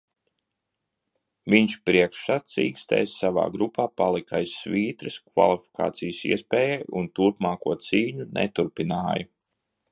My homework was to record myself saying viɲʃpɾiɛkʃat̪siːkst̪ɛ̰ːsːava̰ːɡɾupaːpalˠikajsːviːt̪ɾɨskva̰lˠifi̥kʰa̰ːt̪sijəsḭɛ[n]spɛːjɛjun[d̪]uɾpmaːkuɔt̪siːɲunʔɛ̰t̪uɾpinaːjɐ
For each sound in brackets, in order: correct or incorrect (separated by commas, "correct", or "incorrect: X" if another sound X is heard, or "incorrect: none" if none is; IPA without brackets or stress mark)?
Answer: incorrect: none, incorrect: t̪